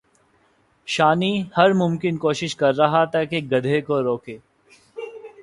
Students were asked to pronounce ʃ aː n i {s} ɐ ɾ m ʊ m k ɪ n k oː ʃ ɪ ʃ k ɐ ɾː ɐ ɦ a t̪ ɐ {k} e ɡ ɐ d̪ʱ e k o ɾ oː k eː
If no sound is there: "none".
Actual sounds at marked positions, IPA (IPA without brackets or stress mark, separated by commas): h, k